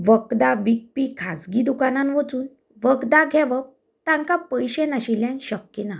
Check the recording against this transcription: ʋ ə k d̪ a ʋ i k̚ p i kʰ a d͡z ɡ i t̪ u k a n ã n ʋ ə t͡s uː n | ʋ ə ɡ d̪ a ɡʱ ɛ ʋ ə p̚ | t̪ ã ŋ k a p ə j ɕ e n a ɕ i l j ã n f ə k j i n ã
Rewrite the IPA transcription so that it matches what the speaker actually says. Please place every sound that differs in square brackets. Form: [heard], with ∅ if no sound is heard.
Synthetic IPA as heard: ʋ ə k d̪ a ʋ i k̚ p i kʰ a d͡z ɡ i [d̪] u k a n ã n ʋ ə t͡s uː n | ʋ ə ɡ d̪ a ɡʱ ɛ ʋ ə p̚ | t̪ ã ŋ k a p ə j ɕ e n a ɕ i l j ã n [ɕ] ə k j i n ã